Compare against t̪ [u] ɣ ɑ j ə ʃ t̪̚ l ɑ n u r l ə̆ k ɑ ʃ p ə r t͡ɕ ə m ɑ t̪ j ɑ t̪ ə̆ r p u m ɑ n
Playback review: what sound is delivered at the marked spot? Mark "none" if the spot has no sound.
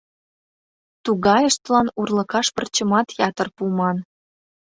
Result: u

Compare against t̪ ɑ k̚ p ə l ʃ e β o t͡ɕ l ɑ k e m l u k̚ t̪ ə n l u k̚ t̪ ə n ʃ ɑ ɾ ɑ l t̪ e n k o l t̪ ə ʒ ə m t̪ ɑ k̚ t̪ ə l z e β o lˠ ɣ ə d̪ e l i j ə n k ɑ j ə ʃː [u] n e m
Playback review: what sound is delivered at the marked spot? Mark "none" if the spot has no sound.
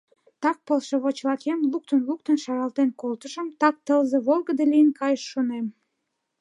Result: o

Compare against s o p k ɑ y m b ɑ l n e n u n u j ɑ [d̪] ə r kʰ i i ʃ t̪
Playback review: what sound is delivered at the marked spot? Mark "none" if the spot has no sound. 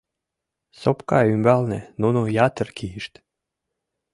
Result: t̪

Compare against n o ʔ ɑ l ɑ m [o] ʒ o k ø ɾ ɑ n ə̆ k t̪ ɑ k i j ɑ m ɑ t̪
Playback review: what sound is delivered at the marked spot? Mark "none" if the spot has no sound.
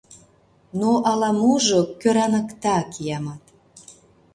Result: u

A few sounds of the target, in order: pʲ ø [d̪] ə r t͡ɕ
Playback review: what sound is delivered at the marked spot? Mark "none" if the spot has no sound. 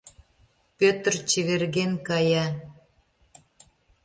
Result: t̪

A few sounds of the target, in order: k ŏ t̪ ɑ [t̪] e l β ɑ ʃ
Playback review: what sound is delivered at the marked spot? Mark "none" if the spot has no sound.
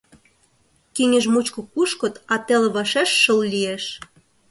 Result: t̪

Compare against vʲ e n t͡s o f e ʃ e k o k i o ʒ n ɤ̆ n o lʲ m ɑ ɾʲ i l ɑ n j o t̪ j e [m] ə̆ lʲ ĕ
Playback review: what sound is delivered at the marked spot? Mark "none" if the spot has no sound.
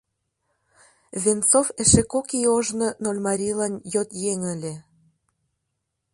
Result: ŋ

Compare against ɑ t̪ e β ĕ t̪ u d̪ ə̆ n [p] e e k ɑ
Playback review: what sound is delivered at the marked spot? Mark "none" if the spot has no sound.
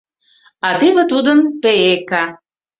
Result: p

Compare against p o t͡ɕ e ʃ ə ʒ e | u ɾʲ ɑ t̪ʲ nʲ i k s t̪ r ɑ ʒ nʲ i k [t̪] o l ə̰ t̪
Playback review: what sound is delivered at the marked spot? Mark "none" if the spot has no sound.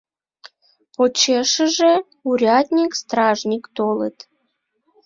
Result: t̪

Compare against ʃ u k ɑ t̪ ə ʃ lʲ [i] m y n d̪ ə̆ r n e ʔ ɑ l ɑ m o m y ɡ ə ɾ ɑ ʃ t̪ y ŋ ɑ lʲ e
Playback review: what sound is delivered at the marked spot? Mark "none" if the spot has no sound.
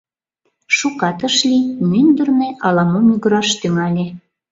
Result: i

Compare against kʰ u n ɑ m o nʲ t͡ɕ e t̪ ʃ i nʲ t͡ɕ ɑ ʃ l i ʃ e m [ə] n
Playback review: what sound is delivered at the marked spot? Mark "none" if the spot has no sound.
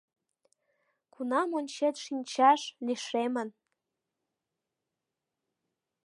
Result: ə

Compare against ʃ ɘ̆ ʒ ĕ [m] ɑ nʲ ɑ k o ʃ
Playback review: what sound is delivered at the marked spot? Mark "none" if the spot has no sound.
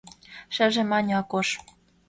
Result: m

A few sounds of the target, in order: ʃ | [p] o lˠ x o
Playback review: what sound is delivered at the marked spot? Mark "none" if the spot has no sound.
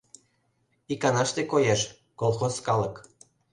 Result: k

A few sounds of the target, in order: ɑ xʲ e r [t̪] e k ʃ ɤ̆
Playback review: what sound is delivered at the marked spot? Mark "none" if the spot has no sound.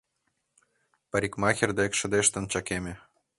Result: d̪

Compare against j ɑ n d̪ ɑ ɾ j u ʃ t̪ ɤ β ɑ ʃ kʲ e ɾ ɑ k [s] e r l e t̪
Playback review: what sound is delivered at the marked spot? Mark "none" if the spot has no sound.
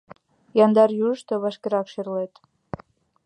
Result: ʃ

